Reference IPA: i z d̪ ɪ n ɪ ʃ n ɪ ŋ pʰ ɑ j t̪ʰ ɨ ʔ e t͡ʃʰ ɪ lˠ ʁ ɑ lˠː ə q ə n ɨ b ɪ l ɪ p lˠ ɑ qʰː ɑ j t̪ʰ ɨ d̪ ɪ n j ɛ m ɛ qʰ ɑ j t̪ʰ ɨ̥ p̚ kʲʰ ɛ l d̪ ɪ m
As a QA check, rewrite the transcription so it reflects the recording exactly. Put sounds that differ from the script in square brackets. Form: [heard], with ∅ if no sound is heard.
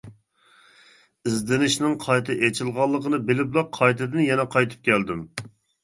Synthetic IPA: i z d̪ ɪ n ɪ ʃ n ɪ ŋ [qʰ] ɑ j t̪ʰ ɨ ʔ e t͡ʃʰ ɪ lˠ ʁ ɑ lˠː ə q ə n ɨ b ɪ l ɪ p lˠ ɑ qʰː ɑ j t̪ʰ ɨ d̪ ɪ n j ɛ [n] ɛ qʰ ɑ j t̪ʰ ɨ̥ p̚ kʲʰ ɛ l d̪ ɪ m